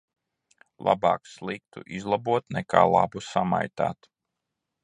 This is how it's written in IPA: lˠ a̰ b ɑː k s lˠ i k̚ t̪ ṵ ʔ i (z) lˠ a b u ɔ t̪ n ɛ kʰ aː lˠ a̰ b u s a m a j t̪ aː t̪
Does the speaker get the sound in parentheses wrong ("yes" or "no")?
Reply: no